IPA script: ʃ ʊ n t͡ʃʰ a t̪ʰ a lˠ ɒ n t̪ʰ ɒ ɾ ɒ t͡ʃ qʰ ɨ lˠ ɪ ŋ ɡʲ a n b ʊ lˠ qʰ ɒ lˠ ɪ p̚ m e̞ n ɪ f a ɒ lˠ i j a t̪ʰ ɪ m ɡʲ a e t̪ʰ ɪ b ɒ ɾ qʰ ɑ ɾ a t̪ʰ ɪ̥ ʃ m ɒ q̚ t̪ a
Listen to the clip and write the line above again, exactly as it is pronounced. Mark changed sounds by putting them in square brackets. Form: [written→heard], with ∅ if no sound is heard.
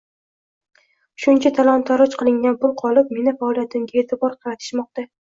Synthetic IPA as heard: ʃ ʊ n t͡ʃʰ a t̪ʰ a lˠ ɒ n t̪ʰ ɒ ɾ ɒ t͡ʃ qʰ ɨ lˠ ɪ ŋ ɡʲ a n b ʊ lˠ qʰ ɒ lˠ ɪ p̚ m e̞ n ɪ f a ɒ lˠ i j a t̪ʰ ɪ m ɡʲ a e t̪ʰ ɪ b ɒ ɾ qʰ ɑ ɾ a t̪ʰ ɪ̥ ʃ m ɒ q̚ t̪ a